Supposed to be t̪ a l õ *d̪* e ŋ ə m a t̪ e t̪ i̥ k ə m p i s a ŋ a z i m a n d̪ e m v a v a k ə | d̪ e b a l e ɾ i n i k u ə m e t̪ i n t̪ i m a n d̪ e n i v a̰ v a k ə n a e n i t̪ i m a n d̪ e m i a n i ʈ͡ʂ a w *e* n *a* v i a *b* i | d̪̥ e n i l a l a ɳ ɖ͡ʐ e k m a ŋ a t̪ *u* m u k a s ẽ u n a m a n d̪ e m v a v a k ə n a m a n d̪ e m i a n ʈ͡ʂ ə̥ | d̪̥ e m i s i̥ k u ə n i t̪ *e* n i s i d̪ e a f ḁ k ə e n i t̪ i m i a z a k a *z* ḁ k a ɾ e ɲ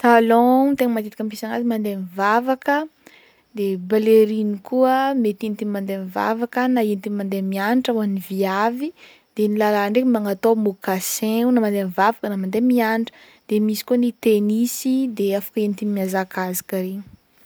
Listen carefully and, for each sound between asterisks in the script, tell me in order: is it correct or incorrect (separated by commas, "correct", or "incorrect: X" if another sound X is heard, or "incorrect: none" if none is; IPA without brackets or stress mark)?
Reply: incorrect: t̪, incorrect: a, incorrect: i, incorrect: v, incorrect: o, correct, correct